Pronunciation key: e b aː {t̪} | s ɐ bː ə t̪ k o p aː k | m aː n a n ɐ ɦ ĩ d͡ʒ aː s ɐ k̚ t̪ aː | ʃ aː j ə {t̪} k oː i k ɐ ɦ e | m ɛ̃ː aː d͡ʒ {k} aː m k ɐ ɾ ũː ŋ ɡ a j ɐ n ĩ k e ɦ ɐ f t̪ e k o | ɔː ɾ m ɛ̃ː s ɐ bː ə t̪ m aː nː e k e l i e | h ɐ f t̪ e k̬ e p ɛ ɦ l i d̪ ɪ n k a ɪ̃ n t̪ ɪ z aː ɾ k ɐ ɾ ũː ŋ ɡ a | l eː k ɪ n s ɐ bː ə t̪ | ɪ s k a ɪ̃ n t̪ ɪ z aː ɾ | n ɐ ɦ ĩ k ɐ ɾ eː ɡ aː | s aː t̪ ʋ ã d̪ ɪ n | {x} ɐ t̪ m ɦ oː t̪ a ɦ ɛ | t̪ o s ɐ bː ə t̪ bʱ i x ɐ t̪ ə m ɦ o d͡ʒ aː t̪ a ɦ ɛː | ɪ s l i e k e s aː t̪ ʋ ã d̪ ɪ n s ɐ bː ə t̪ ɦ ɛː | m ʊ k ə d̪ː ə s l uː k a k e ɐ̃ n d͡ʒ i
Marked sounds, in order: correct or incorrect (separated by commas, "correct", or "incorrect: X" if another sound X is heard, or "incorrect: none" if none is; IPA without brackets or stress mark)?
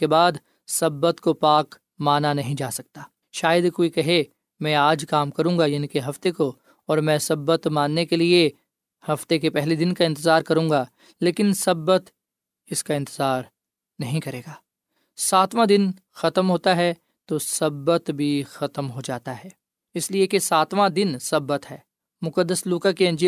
incorrect: d̪, incorrect: d̪, correct, correct